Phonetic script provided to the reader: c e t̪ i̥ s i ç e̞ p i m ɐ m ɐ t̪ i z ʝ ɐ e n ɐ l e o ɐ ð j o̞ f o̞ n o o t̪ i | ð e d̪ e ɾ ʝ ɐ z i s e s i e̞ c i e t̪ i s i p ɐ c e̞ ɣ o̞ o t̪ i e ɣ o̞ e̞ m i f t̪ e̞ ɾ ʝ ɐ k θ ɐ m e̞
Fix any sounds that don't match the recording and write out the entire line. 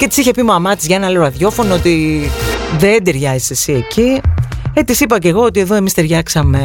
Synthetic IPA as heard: c e t̪ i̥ s i ç e̞ p i m ɐ m ɐ t̪ i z ʝ ɐ e n ɐ l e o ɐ ð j o̞ f o̞ n o o t̪ i | ð e d̪ e ɾ ʝ ɐ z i s e s i e̞ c i e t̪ i s i p ɐ c e̞ ɣ o̞ o t̪ i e ð o̞ e̞ m i s t̪ e̞ ɾ ʝ ɐ k s ɐ m e̞